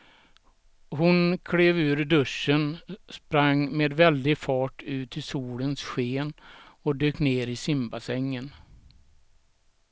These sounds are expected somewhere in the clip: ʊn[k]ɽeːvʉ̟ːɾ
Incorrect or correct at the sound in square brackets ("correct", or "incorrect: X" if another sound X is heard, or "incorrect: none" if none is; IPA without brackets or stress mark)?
incorrect: kʰ